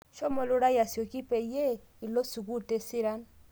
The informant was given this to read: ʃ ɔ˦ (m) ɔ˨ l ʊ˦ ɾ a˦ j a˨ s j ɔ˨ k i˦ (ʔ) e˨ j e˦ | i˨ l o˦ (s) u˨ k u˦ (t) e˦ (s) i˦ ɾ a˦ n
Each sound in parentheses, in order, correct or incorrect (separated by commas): correct, incorrect, correct, correct, correct